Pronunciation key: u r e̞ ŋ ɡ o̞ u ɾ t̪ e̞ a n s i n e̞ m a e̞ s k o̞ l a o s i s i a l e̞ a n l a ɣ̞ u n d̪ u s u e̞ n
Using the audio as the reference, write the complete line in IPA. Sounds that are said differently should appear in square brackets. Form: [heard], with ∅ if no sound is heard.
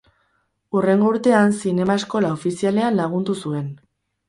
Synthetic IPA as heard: u r e̞ ŋ ɡ o̞ u ɾ t̪ e̞ a n s i n e̞ m a e̞ s k o̞ l a o [f] i s i a l e̞ a n l a ɣ̞ u n d̪ u s u e̞ n